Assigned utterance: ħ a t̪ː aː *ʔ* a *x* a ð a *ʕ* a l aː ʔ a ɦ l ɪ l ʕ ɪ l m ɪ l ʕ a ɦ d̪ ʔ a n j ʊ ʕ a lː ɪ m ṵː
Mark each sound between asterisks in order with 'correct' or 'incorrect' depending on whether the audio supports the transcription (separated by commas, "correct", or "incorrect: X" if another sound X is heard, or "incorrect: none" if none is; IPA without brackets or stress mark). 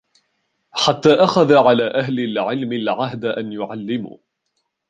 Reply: correct, correct, correct